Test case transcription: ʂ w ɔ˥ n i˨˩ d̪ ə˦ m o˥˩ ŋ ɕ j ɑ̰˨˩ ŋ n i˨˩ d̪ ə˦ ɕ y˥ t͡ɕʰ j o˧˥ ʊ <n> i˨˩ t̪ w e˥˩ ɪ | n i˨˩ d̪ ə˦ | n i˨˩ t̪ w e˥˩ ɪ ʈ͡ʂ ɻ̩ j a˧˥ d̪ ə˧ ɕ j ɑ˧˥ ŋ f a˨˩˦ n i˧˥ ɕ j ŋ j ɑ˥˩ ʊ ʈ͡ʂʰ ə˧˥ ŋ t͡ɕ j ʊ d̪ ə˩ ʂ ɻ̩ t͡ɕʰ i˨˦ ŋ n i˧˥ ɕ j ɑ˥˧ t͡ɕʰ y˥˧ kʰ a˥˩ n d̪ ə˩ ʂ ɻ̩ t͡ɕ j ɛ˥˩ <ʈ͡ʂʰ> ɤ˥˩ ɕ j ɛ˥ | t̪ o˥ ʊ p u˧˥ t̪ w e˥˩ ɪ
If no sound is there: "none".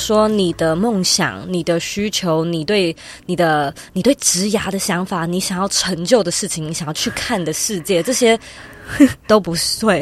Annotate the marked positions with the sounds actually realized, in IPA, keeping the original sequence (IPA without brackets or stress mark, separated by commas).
n, ʈ͡ʂ